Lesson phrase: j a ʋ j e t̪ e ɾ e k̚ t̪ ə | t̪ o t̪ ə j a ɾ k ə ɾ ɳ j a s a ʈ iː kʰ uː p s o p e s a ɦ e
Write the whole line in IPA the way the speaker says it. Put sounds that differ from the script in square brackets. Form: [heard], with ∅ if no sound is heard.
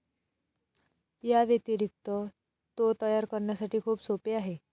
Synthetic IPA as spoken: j a ʋ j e t̪ [i] ɾ [i] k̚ t̪ ə | t̪ o t̪ ə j a ɾ k ə ɾ ɳ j a s a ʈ iː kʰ uː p s o p e [∅] a ɦ e